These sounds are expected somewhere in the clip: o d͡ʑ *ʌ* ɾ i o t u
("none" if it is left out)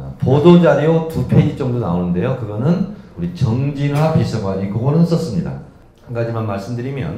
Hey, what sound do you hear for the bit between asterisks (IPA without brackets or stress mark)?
a